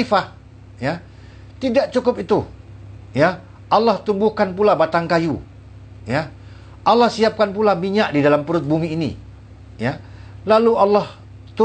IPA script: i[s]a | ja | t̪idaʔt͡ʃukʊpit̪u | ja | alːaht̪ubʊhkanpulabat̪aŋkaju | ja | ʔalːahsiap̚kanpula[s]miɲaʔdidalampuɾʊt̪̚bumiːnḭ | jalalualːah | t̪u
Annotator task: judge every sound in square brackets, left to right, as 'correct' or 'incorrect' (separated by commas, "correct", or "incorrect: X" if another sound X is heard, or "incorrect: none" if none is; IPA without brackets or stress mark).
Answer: incorrect: f, incorrect: none